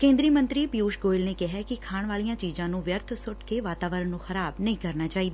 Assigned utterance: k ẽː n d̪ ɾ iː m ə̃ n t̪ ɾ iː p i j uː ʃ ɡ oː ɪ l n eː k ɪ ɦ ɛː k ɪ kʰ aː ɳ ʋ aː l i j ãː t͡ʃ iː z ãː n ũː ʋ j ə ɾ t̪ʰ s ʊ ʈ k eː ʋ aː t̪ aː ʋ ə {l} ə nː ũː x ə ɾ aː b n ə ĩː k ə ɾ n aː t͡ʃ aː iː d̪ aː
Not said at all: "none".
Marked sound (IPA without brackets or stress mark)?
ɾ